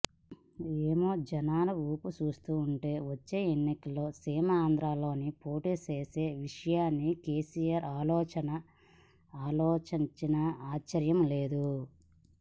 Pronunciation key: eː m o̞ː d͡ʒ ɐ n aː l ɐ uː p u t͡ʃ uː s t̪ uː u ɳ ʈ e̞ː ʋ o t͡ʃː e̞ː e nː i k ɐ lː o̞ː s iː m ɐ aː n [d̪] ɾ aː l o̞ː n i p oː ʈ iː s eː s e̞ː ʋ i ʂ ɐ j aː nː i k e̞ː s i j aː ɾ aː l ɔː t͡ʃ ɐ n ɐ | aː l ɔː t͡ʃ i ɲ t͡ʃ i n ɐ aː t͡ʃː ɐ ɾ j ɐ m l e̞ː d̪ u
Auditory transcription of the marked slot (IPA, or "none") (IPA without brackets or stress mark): d̪